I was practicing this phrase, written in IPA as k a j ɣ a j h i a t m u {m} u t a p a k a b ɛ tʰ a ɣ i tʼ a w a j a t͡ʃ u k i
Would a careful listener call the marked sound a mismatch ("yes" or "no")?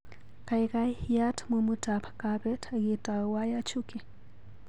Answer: no